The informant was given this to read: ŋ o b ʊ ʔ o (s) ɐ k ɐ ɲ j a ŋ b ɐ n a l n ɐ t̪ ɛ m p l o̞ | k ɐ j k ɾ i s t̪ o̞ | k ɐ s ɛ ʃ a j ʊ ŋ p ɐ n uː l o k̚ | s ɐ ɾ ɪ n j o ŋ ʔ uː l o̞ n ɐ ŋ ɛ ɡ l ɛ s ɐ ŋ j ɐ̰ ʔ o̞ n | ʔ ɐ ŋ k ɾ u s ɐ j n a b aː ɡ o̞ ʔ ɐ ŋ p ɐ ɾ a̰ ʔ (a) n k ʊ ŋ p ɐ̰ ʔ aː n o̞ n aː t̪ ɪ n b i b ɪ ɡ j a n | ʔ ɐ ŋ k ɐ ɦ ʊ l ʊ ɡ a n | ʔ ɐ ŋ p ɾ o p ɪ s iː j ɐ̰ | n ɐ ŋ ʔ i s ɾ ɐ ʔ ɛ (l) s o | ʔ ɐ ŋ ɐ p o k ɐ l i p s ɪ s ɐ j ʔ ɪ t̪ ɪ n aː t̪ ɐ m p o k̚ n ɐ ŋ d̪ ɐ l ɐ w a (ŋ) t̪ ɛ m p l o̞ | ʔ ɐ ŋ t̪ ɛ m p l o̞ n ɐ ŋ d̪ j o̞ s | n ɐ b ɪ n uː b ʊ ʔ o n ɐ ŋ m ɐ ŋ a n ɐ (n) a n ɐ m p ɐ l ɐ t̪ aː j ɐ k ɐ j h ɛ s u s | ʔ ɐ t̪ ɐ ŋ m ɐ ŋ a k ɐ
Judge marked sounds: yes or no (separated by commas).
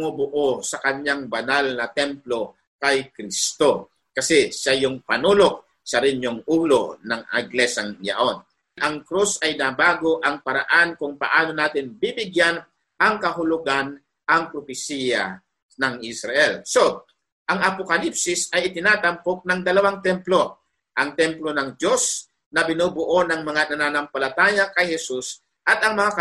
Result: yes, yes, yes, yes, yes